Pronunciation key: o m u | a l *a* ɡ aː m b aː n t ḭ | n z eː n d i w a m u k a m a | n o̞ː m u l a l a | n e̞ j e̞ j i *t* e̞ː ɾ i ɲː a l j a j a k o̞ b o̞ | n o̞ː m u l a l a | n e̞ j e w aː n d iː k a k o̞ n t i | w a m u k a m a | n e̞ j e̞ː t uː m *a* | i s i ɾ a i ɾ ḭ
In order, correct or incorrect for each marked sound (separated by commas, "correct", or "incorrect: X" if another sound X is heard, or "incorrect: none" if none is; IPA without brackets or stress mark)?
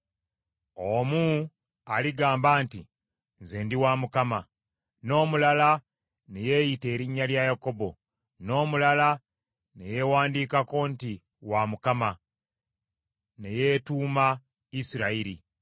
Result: incorrect: i, correct, correct